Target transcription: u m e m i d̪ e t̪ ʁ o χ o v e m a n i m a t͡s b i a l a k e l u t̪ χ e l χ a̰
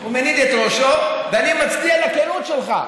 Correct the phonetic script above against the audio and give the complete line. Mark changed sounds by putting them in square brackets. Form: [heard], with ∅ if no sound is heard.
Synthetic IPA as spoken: u m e [n] i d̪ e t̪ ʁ o [ʃ] o v e [∅] a n i m a t͡s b i a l a k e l u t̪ [ʃ] e l χ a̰